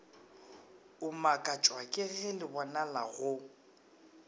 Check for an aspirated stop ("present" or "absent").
absent